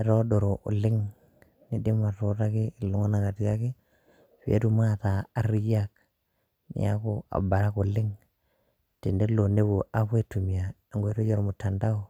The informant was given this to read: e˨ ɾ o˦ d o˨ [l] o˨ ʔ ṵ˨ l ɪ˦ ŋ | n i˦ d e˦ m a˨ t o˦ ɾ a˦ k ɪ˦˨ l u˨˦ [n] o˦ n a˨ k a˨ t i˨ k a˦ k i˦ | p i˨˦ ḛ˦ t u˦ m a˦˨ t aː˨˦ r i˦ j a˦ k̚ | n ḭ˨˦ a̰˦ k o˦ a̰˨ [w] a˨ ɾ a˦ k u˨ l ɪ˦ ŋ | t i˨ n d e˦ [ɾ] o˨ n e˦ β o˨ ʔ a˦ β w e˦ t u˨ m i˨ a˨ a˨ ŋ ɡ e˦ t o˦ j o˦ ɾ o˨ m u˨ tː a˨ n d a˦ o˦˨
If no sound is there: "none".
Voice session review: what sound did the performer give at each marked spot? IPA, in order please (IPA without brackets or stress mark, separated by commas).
ɾ, ŋ, b, l